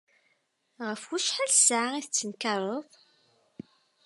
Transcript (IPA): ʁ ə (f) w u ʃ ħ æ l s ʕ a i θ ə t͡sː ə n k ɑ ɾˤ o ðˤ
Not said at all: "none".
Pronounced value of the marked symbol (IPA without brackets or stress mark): f